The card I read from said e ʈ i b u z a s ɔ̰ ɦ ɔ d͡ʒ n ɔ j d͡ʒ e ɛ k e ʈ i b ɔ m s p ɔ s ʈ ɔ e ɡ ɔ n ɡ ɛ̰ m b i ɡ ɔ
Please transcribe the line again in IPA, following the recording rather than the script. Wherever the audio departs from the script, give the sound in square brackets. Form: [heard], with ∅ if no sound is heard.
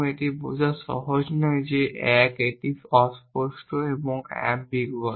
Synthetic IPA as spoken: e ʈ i b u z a s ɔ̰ ɦ ɔ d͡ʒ n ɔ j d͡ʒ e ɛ k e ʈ i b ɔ [∅] s p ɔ s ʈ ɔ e [b] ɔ [ŋ] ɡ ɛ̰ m b i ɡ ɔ

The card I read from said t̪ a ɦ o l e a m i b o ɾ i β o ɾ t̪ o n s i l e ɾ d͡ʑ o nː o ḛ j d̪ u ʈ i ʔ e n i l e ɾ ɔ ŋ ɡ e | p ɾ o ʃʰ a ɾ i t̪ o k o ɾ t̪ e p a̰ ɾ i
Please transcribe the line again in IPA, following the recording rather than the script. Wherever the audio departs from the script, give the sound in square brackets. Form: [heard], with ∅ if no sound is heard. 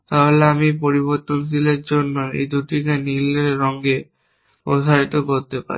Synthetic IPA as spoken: t̪ a ɦ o l e a m i [p] o ɾ i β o ɾ t̪ o n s i l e ɾ d͡ʑ o nː o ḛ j d̪ u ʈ i [k] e n i l e ɾ ɔ ŋ ɡ e | p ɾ o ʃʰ a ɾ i t̪ o k o ɾ t̪ e p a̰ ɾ i

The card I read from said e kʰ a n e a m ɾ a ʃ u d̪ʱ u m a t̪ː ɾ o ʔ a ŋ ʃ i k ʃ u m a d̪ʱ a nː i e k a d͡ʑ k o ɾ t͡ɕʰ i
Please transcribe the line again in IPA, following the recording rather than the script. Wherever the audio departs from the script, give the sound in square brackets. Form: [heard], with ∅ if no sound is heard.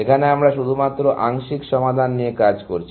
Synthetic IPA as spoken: e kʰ a n e a m ɾ a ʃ u d̪ʱ u m a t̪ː ɾ o ʔ a ŋ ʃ i k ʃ [ɔ] m a d̪ʱ a nː i e k a d͡ʑ k o ɾ t͡ɕʰ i

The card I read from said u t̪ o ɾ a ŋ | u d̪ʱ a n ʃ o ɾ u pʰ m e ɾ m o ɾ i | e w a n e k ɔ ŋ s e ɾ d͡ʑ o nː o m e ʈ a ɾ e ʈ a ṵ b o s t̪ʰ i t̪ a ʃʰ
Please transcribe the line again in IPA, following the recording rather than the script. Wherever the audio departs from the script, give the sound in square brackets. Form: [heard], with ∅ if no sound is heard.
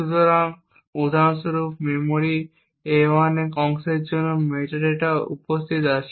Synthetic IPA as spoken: u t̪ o ɾ a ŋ | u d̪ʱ a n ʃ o ɾ u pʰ m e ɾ m o ɾ i | e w a n e k ɔ ŋ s e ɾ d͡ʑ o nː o m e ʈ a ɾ e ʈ a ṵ [p] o s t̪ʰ i t̪ a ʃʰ

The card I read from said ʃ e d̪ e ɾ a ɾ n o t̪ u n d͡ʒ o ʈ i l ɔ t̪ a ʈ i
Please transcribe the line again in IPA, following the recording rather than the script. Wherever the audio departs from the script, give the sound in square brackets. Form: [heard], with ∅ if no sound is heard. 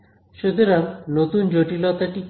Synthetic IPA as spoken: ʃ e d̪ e ɾ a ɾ n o t̪ u n d͡ʒ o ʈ i l ɔ t̪ a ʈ i

